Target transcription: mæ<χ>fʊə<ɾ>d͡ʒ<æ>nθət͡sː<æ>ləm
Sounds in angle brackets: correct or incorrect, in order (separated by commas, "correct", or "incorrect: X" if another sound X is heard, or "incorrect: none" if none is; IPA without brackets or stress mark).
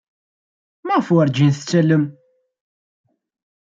incorrect: ʁ, correct, incorrect: i, correct